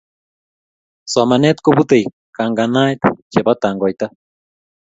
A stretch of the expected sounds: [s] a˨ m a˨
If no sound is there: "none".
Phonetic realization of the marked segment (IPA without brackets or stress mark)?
s